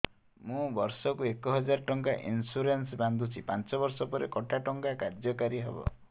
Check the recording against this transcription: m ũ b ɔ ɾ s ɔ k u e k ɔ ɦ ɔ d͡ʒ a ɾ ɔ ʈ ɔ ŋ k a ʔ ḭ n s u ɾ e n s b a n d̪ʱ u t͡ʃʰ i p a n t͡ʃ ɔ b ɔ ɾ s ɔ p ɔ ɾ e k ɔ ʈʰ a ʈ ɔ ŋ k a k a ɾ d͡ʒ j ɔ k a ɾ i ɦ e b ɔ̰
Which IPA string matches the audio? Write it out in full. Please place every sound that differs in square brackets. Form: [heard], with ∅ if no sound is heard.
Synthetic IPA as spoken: m ũ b ɔ ɾ s ɔ k u e k ɔ ɦ ɔ d͡ʒ a ɾ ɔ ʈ ɔ ŋ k a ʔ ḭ n s u ɾ e n s b a n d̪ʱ u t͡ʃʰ i p a n t͡ʃ ɔ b ɔ ɾ s ɔ p ɔ ɾ e k ɔ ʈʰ a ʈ ɔ ŋ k a k a ɾ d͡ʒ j ɔ k a ɾ i ɦ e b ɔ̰